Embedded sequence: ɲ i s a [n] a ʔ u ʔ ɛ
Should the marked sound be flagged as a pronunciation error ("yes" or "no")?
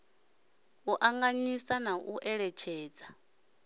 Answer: no